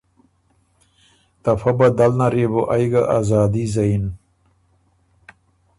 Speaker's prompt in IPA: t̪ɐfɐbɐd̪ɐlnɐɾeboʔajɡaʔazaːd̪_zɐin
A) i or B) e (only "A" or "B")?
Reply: A